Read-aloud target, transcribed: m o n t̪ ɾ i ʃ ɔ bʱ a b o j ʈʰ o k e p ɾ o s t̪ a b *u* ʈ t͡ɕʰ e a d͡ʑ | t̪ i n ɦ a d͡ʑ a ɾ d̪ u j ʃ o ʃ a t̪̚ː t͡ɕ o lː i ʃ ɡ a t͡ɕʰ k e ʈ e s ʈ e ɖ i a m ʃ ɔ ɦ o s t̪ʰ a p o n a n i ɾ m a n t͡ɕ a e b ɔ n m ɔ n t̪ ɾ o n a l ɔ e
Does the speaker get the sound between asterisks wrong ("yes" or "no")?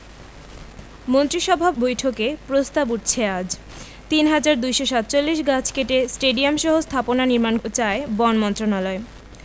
no